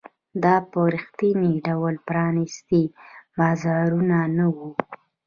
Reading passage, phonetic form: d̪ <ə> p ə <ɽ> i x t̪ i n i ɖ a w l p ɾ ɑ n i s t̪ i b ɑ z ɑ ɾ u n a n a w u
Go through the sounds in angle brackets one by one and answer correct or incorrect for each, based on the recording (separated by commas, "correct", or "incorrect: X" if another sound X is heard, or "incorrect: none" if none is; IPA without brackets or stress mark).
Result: incorrect: ɑ, incorrect: ɾ